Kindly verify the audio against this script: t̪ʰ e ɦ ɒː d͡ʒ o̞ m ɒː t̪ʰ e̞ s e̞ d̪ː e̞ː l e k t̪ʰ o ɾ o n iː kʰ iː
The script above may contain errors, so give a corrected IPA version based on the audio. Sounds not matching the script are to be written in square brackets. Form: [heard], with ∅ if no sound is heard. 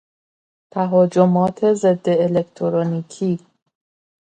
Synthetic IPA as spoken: t̪ʰ [æ] ɦ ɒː d͡ʒ o̞ m ɒː t̪ʰ e̞ [z] e̞ d̪ː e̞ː l e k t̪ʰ o ɾ o n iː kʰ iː